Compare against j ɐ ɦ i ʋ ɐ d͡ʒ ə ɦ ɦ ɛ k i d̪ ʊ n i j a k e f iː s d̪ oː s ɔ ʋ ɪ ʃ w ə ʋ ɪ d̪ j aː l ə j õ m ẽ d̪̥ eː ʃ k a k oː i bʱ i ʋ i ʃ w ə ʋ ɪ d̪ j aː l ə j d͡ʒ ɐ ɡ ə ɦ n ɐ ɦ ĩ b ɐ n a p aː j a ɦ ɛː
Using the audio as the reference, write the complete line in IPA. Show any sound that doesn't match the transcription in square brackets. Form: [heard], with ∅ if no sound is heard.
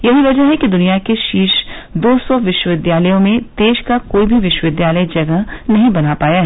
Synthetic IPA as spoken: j ɐ ɦ i ʋ ɐ d͡ʒ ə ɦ ɦ ɛ k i d̪ ʊ n i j a k e [ʃ] iː [ʃ] d̪ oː s ɔ ʋ ɪ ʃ w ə ʋ ɪ d̪ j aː l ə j õ m ẽ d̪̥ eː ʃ k a k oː i bʱ i ʋ [ɪ] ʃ w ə ʋ ɪ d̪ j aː l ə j d͡ʒ ɐ ɡ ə ɦ n ɐ ɦ ĩ b ɐ n a p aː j a ɦ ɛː